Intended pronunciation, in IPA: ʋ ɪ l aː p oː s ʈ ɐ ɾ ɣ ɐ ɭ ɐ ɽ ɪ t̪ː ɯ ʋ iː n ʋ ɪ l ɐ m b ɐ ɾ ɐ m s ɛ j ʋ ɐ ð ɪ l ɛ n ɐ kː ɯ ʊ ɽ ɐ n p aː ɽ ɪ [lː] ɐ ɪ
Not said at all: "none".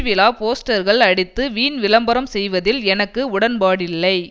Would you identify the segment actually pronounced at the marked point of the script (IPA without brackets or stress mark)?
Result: lː